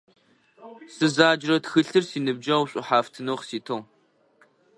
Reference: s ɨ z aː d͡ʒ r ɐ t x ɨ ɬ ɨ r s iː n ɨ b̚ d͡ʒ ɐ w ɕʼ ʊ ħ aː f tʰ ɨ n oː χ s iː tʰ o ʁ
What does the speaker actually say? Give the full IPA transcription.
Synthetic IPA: s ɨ z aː d͡ʒ r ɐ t x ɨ ɬ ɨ r s iː n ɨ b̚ d͡ʒ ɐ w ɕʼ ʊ ħ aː f tʰ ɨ n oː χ s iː tʰ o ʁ